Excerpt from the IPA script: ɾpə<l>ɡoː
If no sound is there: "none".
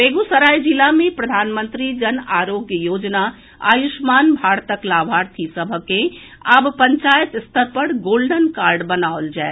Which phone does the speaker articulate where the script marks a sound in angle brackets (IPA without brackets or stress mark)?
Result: ɽ